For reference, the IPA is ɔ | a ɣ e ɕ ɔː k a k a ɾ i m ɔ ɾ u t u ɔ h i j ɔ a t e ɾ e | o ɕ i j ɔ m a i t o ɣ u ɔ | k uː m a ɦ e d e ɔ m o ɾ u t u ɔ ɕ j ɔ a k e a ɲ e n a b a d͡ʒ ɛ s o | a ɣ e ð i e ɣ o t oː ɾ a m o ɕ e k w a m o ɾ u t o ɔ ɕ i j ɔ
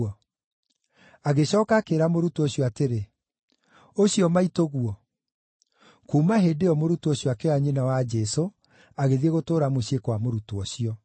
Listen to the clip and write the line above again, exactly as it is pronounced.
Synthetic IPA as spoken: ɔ | a ɣ e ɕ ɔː k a k e ɾ a m o ɾ u t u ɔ ɕ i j ɔ a t e ɾ e | o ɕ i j ɔ m a i t o ɣ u ɔ | k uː m a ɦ e d e ɔ m o ɾ u t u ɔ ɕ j ɔ a k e a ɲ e n a w a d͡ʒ ɛ s o | a ɣ e ð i e ɣ o t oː ɾ a m o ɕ e k w a m o ɾ u t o ɔ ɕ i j ɔ